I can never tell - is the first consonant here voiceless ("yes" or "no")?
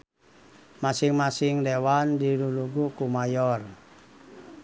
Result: no